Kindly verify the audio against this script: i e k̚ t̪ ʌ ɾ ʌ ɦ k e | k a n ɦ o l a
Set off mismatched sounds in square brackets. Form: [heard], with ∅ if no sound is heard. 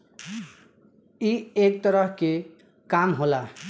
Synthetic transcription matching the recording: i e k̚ t̪ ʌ ɾ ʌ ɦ k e | k a [m] ɦ o l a